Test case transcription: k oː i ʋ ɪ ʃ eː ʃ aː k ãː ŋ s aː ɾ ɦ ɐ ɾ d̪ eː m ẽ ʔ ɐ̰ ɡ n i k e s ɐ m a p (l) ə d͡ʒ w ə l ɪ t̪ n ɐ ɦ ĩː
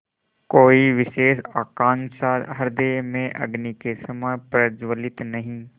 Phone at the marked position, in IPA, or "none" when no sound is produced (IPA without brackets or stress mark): ɾ